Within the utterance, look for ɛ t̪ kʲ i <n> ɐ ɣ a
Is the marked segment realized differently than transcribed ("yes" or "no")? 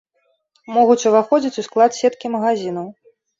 yes